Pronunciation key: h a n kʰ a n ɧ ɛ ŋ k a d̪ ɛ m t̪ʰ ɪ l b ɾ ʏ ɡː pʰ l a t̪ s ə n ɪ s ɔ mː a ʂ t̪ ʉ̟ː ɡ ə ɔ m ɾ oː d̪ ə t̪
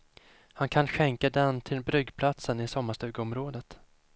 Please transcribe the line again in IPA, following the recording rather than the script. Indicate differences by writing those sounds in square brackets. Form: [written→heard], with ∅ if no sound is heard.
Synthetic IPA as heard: h a n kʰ a n ɧ ɛ ŋ k a d̪ ɛ [m→n] t̪ʰ ɪ l b ɾ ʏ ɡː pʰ l a t̪ s ə n ɪ s ɔ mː a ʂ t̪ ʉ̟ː ɡ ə ɔ m ɾ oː d̪ ə t̪